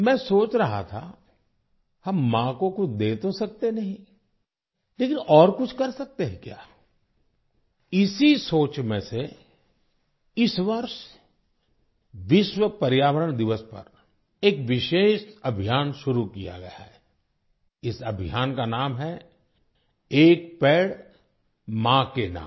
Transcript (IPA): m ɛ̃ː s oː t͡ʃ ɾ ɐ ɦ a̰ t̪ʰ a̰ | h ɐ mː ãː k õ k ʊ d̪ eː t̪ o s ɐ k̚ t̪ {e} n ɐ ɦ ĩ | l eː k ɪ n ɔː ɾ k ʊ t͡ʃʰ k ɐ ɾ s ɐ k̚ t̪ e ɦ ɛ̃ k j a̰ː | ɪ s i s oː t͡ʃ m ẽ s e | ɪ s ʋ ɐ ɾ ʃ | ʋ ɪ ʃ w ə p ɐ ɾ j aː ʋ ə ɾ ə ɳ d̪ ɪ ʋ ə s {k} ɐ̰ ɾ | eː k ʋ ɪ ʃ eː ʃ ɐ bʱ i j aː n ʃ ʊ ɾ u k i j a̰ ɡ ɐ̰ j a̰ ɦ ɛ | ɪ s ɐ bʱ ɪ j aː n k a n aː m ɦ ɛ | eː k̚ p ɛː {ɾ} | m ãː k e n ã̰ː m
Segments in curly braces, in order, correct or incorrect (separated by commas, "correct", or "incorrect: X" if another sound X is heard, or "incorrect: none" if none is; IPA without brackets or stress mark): correct, incorrect: p, incorrect: ɽ